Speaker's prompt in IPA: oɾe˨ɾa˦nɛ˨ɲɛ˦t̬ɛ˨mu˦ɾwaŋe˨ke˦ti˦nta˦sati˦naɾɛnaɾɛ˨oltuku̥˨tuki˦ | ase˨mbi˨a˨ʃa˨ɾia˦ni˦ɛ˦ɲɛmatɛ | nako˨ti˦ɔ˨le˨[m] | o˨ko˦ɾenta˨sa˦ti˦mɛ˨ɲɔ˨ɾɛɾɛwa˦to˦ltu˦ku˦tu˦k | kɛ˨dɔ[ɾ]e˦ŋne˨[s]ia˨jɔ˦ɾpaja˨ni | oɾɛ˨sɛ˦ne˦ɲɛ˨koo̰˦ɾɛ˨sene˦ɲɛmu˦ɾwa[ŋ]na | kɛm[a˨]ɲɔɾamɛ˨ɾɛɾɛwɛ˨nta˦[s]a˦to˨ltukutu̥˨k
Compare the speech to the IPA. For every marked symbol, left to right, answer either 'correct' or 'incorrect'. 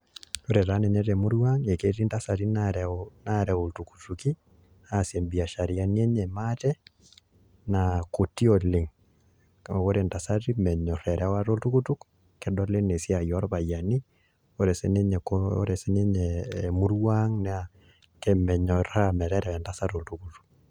incorrect, incorrect, correct, correct, incorrect, correct

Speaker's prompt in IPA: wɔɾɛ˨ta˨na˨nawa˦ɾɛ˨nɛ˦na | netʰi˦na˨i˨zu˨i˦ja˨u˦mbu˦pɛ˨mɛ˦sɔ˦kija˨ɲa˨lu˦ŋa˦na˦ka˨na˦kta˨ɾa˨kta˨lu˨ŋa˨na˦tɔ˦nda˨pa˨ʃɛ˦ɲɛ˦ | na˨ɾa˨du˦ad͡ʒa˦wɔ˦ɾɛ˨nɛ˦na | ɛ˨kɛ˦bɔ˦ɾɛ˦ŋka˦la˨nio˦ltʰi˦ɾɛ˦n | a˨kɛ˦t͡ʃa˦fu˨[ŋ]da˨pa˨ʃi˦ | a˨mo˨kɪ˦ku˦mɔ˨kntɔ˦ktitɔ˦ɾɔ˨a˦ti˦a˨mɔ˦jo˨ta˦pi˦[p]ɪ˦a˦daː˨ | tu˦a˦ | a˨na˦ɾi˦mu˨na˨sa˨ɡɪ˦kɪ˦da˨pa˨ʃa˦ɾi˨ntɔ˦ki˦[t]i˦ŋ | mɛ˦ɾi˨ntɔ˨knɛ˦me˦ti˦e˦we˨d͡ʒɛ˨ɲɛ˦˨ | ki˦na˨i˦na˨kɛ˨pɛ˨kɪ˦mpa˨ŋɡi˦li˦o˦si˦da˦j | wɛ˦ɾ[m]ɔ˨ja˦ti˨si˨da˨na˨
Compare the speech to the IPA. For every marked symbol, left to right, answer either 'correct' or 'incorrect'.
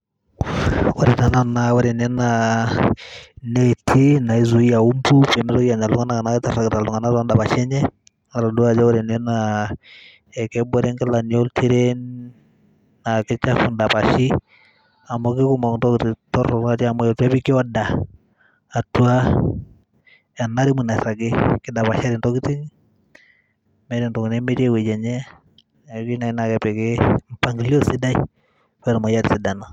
incorrect, incorrect, correct, correct

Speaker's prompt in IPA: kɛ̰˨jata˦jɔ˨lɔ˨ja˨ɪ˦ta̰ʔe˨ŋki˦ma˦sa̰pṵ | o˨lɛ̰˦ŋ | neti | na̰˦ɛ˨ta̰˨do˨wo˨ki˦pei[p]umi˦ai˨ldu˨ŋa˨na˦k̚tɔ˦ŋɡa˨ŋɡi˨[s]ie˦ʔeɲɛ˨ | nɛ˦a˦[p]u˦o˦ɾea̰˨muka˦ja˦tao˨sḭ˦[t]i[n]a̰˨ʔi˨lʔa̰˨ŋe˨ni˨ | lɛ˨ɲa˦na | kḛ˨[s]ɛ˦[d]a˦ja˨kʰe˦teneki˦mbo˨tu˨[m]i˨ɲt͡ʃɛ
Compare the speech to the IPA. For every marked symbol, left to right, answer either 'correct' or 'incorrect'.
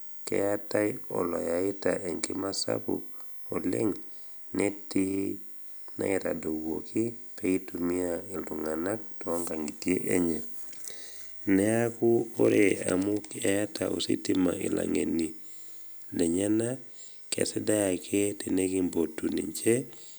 incorrect, incorrect, incorrect, correct, incorrect, correct, correct, incorrect

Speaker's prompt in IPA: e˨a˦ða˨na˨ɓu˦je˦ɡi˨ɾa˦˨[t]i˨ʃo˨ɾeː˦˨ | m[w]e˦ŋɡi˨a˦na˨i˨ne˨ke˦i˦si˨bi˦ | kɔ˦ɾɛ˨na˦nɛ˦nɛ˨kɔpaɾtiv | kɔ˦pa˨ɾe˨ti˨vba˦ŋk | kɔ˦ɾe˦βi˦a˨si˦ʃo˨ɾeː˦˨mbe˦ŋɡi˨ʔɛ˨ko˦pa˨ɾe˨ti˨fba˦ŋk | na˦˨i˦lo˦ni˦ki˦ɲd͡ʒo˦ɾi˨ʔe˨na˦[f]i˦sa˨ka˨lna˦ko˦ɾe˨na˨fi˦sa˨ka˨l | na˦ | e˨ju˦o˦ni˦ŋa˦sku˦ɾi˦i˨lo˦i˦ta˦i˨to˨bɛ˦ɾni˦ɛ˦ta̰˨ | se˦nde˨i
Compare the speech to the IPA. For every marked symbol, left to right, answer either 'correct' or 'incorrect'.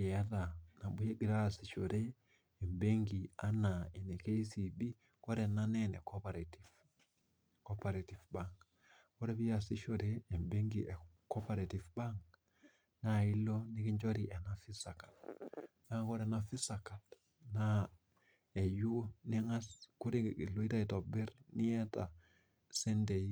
incorrect, incorrect, correct

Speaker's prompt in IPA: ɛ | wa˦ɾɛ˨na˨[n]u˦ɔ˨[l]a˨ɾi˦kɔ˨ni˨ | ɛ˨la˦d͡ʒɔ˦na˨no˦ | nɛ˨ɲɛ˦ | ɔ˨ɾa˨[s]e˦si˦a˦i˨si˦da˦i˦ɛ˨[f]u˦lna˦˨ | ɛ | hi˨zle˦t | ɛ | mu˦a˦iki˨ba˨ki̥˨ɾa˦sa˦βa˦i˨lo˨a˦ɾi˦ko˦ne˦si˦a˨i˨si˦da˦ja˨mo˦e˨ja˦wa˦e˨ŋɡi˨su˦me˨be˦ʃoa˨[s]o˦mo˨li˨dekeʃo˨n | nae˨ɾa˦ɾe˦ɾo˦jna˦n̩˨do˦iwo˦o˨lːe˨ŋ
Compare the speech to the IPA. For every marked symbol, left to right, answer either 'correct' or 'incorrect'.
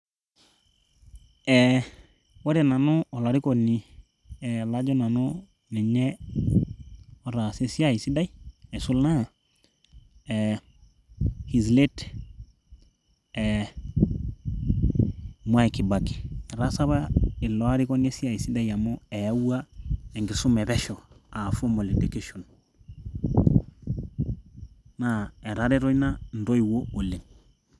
correct, correct, correct, incorrect, incorrect

